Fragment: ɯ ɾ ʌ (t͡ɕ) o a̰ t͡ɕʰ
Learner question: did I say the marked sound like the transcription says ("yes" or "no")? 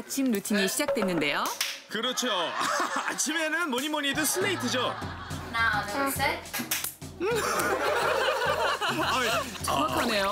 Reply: no